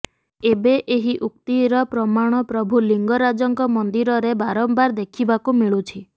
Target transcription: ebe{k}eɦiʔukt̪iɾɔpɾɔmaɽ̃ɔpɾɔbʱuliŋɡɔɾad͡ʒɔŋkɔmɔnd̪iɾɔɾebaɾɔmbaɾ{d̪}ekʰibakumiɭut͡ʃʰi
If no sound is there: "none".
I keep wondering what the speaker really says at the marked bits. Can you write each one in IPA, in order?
ʔ, d̪

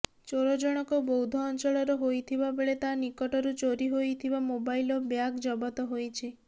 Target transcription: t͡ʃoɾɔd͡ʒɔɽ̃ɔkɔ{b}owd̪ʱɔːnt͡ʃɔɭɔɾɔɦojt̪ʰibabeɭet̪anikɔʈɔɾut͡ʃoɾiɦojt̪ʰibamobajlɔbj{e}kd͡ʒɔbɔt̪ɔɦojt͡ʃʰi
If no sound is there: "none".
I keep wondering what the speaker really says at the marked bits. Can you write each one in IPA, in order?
b, a

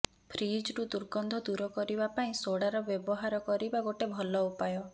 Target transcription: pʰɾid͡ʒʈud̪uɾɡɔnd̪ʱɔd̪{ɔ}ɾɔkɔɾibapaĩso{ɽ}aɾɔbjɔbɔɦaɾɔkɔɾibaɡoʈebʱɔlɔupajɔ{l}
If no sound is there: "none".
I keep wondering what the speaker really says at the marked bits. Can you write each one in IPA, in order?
u, ɽ, none

